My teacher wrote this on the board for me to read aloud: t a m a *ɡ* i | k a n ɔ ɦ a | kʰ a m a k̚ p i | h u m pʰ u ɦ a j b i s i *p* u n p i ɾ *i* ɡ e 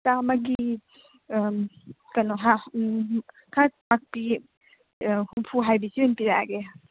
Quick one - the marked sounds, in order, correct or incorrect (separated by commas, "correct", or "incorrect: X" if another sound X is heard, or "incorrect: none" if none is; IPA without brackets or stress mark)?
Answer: correct, incorrect: none, incorrect: a